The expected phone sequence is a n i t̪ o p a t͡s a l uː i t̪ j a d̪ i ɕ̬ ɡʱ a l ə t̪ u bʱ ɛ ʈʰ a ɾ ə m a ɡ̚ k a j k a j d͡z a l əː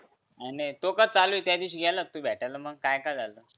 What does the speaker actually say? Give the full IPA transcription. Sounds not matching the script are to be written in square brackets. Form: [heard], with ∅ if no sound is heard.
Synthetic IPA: a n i t̪ o [k] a t͡s a l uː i t̪ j a d̪ i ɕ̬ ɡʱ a l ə t̪ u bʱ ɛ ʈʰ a [l] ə m [ə] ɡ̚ k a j k a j d͡z a l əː